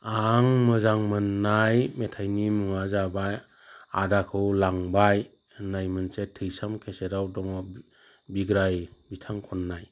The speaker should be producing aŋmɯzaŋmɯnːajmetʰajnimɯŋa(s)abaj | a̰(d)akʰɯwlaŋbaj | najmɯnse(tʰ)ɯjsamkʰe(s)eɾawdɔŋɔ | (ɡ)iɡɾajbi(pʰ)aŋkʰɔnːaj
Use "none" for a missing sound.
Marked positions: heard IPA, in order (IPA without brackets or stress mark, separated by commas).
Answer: z, d, tʰ, s, b, tʰ